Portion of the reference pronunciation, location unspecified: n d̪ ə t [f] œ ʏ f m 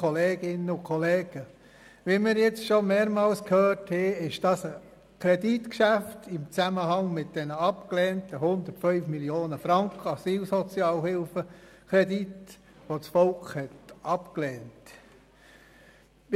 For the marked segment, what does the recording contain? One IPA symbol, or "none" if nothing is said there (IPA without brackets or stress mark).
f